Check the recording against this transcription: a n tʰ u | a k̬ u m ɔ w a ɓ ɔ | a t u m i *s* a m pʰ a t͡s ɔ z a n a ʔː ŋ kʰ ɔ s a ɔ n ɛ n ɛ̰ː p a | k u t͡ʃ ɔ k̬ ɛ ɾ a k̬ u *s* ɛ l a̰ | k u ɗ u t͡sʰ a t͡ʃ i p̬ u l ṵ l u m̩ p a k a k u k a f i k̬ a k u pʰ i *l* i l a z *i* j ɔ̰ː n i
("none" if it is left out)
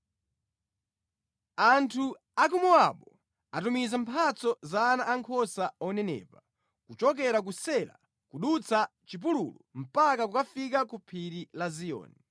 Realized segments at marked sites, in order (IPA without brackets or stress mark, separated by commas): z, s, ɾ, i